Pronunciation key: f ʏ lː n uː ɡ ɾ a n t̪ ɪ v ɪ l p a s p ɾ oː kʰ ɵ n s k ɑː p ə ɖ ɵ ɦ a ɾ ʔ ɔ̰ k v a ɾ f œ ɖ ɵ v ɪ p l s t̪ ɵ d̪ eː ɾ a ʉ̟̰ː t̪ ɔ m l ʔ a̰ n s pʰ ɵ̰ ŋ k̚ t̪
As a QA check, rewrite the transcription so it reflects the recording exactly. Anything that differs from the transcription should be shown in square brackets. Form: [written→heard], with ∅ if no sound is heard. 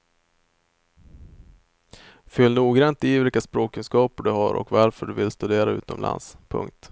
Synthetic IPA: f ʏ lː n uː ɡ ɾ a n t̪ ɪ v ɪ l [p→k] a s p ɾ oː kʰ ɵ n s k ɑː p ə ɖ ɵ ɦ a ɾ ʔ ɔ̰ k v a ɾ f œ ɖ ɵ v ɪ [p→∅] l s t̪ ɵ d̪ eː ɾ a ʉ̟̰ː t̪ ɔ m l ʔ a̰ n s pʰ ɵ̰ ŋ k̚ t̪